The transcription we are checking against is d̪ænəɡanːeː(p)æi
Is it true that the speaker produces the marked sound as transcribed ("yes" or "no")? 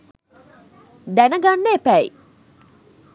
yes